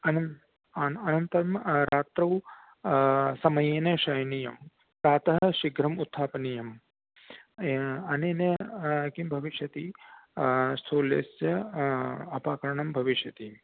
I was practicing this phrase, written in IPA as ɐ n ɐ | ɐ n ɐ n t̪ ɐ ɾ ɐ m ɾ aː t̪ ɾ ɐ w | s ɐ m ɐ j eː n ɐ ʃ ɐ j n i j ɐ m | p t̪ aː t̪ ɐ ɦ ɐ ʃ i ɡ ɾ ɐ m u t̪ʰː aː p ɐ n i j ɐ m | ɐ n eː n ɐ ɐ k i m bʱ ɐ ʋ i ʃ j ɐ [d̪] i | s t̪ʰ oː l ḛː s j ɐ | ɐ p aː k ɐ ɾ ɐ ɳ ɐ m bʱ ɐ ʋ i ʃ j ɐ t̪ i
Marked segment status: incorrect: t̪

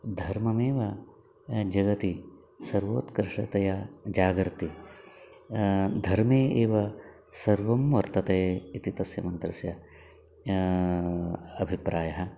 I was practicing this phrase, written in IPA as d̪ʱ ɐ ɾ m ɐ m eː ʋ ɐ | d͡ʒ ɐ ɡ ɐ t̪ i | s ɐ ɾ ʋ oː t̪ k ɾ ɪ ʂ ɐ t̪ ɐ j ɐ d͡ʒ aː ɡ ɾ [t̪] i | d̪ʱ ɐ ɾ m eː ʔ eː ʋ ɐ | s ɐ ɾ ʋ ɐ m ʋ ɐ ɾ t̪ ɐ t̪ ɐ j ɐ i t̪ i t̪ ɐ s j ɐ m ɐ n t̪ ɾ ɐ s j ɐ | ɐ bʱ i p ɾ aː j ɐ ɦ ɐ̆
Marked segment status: correct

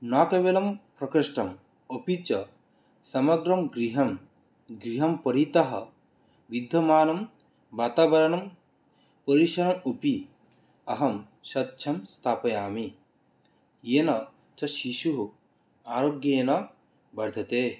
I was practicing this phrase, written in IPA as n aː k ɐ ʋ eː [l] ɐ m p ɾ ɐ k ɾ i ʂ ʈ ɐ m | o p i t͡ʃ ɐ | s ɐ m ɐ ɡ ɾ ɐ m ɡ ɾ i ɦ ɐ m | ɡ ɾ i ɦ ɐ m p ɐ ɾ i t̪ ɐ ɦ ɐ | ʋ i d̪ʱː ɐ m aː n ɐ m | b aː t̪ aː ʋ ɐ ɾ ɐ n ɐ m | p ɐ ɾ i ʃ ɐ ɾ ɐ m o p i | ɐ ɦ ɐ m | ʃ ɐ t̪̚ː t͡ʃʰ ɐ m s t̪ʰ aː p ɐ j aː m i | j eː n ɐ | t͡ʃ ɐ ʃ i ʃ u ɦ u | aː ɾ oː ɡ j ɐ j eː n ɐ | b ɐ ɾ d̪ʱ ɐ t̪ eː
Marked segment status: correct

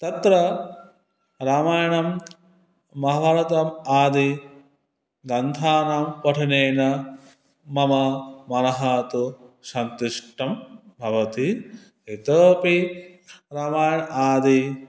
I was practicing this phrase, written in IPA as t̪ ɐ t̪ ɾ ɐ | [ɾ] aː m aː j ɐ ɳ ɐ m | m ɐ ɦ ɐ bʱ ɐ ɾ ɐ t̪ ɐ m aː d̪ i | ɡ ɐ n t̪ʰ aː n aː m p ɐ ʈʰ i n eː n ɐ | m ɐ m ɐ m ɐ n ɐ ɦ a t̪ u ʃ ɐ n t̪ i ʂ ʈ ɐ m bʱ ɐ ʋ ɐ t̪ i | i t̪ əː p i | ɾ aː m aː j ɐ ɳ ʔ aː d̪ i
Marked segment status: correct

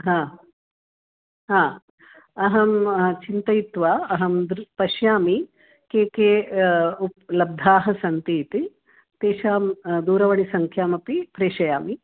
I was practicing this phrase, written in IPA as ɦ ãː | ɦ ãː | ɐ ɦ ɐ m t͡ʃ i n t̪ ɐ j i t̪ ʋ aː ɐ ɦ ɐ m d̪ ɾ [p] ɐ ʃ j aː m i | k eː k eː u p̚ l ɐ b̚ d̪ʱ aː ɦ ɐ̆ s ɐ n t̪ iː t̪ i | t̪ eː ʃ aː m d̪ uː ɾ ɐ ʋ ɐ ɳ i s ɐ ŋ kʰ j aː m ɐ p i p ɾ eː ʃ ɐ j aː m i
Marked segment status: correct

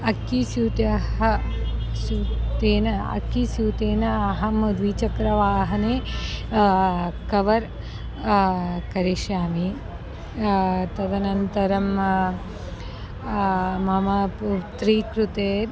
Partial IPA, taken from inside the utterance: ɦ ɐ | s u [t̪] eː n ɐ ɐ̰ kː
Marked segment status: correct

